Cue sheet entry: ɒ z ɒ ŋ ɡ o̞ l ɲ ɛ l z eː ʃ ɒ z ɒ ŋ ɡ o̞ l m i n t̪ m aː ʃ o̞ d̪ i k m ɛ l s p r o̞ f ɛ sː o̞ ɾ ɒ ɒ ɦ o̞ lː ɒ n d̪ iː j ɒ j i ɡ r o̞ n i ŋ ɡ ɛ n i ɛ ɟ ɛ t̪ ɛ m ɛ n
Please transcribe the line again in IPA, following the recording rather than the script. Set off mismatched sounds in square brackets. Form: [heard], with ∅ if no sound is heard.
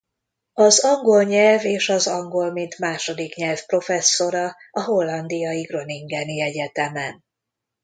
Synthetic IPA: ɒ z ɒ ŋ ɡ o̞ l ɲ ɛ l [v] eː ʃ ɒ z ɒ ŋ ɡ o̞ l m i n t̪ m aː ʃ o̞ d̪ i k [ɲ] ɛ l [f] p r o̞ f ɛ sː o̞ ɾ ɒ ɒ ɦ o̞ lː ɒ n d̪ [i] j ɒ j i ɡ r o̞ n i ŋ ɡ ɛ n i ɛ ɟ ɛ t̪ ɛ m ɛ n